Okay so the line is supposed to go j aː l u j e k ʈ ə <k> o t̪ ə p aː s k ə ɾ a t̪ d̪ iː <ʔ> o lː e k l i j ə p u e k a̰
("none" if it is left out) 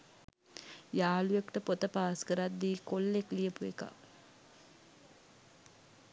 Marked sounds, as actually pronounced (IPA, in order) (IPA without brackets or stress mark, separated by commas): p, k